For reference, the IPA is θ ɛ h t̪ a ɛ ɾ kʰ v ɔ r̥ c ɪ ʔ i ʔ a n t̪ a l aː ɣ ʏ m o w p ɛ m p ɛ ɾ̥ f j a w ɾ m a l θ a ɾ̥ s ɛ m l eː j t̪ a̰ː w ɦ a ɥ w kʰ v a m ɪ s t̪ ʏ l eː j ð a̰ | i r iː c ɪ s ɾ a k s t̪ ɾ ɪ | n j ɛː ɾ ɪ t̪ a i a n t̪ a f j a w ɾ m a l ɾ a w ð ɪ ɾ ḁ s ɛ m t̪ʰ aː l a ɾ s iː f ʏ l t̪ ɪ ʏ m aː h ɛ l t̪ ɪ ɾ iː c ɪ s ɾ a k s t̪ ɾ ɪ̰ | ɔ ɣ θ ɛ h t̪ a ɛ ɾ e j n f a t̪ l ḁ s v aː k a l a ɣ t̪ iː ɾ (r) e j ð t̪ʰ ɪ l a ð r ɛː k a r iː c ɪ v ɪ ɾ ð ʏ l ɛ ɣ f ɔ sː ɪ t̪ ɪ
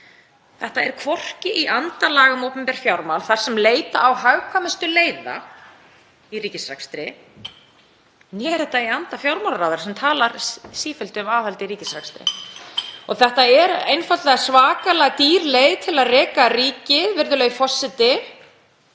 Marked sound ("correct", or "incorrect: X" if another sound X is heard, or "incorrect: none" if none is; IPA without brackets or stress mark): incorrect: l